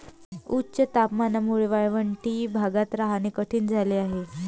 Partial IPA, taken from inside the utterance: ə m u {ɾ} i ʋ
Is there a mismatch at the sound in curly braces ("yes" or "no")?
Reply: yes